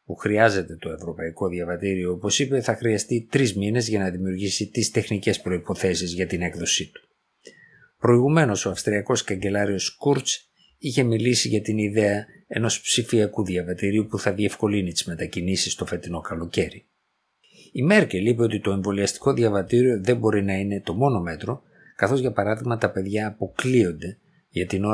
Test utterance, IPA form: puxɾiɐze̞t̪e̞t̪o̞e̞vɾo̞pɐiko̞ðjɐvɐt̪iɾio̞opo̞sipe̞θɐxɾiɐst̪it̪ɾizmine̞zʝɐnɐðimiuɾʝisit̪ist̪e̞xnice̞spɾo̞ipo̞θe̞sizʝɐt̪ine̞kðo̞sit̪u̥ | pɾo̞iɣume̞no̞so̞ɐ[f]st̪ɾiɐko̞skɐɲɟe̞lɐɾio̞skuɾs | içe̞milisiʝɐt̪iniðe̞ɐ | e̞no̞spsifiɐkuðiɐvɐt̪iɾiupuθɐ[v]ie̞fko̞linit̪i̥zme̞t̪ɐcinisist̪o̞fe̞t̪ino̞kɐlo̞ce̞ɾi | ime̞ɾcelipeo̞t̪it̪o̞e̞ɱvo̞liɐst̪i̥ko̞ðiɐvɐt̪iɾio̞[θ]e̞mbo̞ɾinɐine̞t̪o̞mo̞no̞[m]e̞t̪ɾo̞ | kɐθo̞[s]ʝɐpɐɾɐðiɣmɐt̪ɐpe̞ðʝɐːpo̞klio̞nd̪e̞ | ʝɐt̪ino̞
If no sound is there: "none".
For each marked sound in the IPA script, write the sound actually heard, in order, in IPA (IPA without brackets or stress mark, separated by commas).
f, ð, ð, m, z